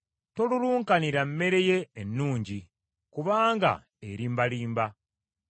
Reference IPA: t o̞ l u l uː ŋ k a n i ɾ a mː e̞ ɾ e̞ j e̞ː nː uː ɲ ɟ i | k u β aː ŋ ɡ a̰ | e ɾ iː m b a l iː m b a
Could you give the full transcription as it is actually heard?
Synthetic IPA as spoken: t o̞ l u l uː ŋ k a n i ɾ a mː e̞ ɾ e̞ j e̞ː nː uː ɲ ɟ i | k u β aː ŋ ɡ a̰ | e ɾ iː m b a l iː m b a

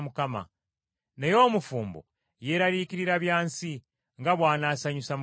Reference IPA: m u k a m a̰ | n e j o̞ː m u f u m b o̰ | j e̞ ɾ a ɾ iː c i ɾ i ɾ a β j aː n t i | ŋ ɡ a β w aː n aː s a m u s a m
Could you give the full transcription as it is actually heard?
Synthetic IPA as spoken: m u k a m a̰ | n e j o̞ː m u f uː m b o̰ | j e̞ ɾ a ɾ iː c i ɾ i ɾ a β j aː n s i | ŋ ɡ a β w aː n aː s a ɲ u s a m

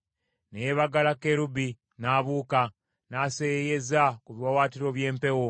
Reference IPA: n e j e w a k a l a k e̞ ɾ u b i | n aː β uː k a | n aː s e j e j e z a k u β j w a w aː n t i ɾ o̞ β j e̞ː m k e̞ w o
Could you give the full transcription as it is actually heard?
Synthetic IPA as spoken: n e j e β a ɡ a l a k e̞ ɾ u b i | n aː β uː k a | n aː s e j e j e z a k u β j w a w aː t i ɾ o̞ β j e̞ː m p e̞ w o

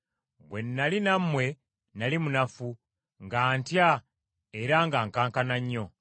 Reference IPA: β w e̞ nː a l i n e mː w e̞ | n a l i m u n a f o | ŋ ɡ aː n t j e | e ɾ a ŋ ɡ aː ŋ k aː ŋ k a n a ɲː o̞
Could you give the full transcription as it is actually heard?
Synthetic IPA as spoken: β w e̞ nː a l i n a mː w e̞ | n a l i m u n a f u | ŋ ɡ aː n t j a | e ɾ a ŋ ɡ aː ŋ k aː ŋ k a n a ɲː o̞

